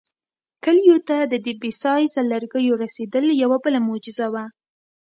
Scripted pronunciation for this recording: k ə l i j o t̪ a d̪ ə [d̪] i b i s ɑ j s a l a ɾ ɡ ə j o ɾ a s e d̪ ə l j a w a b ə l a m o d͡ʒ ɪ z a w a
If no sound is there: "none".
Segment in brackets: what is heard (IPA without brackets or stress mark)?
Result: d̪